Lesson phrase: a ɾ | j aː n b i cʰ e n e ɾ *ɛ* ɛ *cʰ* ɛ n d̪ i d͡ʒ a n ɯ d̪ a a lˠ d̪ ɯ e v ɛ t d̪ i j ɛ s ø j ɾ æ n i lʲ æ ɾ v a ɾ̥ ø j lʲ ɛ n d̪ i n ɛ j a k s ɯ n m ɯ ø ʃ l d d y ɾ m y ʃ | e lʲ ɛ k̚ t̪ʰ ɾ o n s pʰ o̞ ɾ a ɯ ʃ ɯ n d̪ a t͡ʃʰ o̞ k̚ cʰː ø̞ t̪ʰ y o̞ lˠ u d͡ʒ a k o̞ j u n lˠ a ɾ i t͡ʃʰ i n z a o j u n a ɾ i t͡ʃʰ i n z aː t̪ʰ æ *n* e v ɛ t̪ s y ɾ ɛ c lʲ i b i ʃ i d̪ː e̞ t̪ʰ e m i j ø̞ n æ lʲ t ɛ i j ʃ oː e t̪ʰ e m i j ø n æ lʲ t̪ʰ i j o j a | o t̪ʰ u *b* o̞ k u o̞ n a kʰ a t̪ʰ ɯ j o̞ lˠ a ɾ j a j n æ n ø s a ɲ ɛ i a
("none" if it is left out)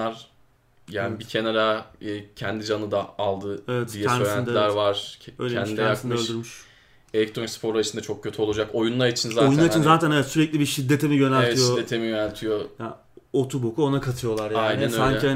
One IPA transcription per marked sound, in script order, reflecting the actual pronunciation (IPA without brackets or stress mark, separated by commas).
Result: a, cʰ, n, b